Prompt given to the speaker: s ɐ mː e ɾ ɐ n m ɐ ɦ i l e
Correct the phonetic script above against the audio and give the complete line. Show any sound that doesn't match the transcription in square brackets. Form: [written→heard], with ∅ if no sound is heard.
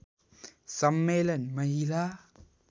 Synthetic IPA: s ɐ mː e [ɾ→l] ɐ n m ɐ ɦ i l [e→a]